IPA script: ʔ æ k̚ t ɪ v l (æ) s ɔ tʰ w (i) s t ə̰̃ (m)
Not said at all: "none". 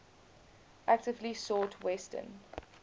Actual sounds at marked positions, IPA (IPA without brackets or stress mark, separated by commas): i, ɛ, n